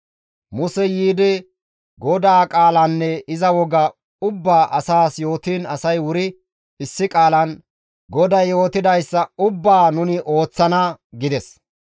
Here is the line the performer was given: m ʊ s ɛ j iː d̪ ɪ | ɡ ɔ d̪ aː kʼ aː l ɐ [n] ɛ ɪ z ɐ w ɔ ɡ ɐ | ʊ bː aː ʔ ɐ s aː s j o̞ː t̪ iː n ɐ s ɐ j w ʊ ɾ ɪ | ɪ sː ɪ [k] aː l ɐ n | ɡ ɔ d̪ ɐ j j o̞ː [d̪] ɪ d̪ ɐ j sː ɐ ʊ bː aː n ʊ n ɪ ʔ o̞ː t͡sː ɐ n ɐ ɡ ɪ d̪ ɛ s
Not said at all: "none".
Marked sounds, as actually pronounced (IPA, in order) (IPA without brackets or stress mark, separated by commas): nː, kʼ, t̪